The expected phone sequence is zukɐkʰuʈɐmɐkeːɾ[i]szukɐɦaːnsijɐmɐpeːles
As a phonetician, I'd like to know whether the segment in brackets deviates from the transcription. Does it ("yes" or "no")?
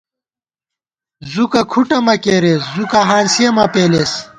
yes